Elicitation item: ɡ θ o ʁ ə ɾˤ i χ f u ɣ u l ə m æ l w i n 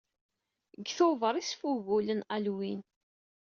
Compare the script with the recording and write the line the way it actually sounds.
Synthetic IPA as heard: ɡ θ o v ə ɾˤ i s f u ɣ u l ə n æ l w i n